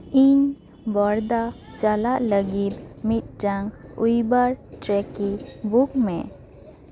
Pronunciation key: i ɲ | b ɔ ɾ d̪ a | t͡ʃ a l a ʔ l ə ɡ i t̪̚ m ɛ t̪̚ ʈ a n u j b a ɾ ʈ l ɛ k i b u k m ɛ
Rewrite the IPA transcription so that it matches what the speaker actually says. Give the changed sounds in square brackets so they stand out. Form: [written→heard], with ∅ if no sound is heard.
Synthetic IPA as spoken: i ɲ | b ɔ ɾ d̪ a | t͡ʃ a l a ʔ l ə ɡ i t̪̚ m [ɛ→i] t̪̚ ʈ a [n→ŋ] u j b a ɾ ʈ [l→ɾ] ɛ k i b u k m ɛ